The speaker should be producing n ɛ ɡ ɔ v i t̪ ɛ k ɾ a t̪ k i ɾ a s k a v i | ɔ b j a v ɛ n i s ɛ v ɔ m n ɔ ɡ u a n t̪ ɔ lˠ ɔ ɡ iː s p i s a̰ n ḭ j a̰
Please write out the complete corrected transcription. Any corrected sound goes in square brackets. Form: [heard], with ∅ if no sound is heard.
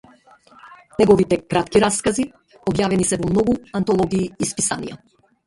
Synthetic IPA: n ɛ ɡ ɔ v i t̪ ɛ k ɾ a t̪ k i ɾ a s k a [z] i | ɔ b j a v ɛ n i s ɛ v ɔ m n ɔ ɡ u a n t̪ ɔ lˠ ɔ ɡ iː s p i s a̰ n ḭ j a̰